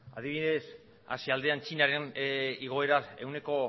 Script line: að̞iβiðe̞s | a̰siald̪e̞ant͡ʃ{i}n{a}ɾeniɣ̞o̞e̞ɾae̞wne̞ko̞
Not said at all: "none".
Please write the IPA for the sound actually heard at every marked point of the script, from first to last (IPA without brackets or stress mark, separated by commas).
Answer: i, a